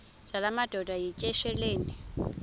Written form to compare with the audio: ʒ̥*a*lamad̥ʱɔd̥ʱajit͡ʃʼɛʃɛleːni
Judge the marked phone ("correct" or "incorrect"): correct